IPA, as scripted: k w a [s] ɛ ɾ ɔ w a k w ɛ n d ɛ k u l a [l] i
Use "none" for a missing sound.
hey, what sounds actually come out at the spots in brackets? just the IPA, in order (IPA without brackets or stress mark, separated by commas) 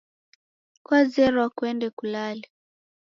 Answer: z, l